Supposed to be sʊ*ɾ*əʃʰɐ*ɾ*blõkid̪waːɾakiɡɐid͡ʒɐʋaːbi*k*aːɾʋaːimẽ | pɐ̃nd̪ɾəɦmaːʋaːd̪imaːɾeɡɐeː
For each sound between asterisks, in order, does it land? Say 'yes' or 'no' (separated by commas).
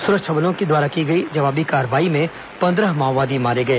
yes, no, yes